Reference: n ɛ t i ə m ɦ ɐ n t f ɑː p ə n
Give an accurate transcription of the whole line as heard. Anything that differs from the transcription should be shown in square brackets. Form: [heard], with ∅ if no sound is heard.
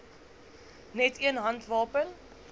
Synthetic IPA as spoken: n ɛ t i ə [n] ɦ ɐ n t [v] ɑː p ə n